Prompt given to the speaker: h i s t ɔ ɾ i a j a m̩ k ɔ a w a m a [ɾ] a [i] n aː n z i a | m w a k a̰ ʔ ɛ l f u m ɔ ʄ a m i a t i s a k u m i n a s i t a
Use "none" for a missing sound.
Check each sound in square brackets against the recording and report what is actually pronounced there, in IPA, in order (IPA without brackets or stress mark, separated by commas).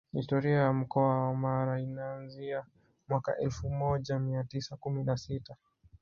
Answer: ɾ, i